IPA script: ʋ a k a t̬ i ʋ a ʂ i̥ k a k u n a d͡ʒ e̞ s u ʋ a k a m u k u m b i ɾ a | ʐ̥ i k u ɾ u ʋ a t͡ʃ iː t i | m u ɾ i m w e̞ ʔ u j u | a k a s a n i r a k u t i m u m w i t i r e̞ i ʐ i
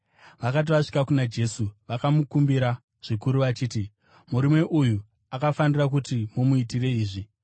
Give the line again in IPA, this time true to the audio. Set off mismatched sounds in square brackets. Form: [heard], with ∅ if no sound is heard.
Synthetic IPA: ʋ a k a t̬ i ʋ a ʂ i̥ k a k u n a d͡ʒ e̞ s u ʋ a k a m u k u m b i ɾ a | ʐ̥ i k u ɾ u ʋ a t͡ʃ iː t i | m u ɾ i m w e̞ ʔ u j u | a k a [f] a n i r a k u t i m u m [u] i t i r e̞ [iː] ʐ i